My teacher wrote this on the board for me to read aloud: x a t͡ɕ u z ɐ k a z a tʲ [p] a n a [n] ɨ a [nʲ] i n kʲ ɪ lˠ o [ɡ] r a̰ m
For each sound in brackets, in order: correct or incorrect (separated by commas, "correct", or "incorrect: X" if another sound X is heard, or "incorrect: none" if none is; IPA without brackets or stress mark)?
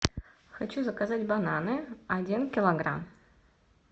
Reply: incorrect: b, correct, incorrect: dʲ, correct